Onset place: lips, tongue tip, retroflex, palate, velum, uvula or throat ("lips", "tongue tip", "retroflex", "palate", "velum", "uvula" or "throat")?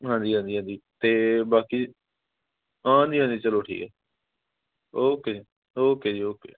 throat